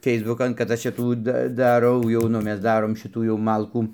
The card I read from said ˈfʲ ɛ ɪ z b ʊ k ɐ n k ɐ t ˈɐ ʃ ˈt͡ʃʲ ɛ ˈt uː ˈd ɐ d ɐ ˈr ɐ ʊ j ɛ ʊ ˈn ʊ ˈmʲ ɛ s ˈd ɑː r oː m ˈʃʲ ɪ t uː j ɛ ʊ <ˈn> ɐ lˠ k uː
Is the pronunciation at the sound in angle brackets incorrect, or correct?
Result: incorrect: m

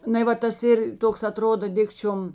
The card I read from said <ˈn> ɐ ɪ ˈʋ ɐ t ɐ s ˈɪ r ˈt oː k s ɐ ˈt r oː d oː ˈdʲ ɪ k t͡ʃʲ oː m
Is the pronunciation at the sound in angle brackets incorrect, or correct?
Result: correct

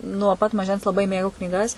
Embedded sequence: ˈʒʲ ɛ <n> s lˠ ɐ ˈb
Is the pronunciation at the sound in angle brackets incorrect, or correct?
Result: correct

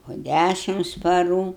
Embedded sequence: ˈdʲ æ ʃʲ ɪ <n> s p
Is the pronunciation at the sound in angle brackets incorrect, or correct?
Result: incorrect: m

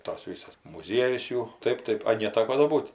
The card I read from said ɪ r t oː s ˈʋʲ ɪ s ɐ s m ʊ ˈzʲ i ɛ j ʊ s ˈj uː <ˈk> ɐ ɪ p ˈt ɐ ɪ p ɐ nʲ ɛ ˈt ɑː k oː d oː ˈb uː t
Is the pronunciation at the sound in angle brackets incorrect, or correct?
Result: incorrect: t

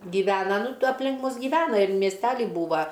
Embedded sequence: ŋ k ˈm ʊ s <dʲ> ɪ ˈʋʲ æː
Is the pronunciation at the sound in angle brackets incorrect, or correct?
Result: incorrect: ɡʲ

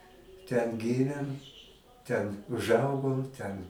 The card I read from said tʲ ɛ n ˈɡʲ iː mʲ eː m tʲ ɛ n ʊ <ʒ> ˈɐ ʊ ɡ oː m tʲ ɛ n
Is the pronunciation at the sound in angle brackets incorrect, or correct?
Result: correct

